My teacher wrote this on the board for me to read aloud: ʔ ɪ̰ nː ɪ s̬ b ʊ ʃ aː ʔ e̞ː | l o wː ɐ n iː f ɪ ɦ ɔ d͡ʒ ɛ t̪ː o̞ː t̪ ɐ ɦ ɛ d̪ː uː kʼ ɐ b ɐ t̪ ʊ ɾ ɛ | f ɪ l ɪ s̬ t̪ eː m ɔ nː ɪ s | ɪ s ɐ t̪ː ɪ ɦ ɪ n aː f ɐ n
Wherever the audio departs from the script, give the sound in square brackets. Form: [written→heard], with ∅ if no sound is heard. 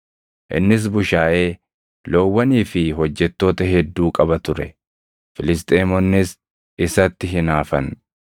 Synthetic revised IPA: ʔ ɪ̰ nː ɪ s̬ b ʊ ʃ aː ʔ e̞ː | l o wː ɐ n iː f ɪ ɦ ɔ [d͡ʒ→d͡ʒː] ɛ t̪ː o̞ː t̪ ɐ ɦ ɛ d̪ː uː kʼ ɐ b ɐ t̪ ʊ ɾ ɛ | f ɪ l ɪ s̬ [t̪→t̪ʼ] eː m ɔ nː ɪ s | ɪ s ɐ t̪ː ɪ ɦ ɪ n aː f ɐ n